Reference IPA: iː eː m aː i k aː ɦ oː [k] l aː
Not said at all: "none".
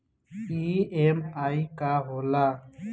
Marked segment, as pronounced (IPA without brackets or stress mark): none